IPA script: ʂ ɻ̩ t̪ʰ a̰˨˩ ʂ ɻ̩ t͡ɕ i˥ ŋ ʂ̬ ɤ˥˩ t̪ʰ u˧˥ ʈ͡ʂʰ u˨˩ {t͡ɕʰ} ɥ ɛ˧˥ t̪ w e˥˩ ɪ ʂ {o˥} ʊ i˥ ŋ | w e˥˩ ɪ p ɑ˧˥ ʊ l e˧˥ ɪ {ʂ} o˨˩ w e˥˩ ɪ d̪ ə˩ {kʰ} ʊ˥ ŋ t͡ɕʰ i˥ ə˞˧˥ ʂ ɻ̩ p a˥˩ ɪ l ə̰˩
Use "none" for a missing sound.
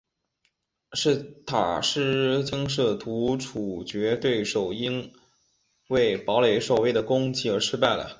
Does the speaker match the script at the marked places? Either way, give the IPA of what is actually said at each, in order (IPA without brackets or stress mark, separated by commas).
t͡ɕ, o˨˩, ʂ, k